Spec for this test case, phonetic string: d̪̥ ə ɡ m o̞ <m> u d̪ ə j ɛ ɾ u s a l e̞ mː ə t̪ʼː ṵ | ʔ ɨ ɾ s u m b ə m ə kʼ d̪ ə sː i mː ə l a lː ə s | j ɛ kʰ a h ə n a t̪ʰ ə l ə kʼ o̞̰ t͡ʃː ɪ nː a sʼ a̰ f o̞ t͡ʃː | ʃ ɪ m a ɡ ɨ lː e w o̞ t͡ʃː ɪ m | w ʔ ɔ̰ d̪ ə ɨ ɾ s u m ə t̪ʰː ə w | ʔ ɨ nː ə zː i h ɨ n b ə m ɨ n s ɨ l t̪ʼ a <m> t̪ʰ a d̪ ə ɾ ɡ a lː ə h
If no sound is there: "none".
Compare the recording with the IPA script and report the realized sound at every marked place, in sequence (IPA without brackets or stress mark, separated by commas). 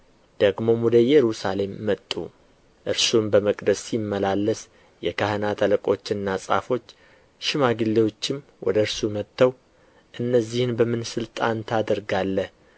m, n